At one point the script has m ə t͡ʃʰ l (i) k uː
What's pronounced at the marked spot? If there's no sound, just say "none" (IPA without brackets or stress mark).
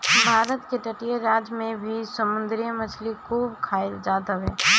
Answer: i